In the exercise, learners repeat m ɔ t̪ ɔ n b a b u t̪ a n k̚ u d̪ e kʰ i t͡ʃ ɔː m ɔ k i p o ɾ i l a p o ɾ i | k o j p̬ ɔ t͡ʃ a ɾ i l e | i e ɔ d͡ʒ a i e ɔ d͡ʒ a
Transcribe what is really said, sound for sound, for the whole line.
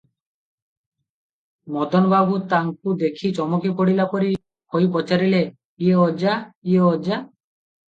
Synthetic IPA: m ɔ d̪ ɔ n b a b u t̪ a ŋ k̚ u d̪ e kʰ i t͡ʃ ɔ m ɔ k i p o ɽ i l a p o ɾ i | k o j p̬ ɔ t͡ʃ a ɾ i l e | i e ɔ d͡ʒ a i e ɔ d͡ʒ a